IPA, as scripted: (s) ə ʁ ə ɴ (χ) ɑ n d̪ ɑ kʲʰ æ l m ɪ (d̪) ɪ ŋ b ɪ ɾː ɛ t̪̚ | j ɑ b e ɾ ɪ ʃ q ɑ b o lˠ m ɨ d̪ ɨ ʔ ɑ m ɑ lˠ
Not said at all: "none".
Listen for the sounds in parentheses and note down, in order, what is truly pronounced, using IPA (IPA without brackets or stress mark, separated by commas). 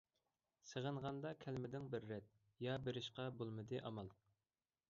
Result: s, ʁ, d̪